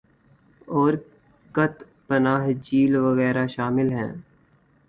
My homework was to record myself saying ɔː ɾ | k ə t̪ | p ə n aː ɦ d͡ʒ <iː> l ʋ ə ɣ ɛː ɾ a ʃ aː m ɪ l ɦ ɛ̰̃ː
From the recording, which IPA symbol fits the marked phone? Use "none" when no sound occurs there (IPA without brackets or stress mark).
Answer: iː